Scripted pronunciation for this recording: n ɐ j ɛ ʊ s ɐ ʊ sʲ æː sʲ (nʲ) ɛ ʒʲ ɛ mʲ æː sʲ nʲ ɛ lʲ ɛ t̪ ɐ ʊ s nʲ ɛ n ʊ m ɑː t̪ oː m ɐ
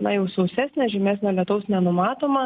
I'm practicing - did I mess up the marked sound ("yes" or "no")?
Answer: no